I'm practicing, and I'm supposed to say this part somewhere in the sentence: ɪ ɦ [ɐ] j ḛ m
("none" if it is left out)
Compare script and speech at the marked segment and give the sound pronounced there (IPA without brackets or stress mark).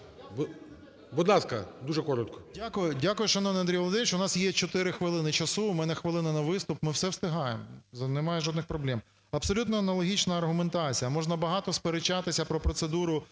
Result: ɑ